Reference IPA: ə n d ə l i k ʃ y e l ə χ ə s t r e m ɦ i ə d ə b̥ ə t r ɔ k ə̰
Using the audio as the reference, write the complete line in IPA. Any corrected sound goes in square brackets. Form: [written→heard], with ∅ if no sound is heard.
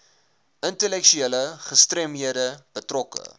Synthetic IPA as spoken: ə n [d→t] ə l [i→ɛ] k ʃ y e l ə χ ə s t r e m ɦ i ə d ə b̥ ə t r ɔ k ə̰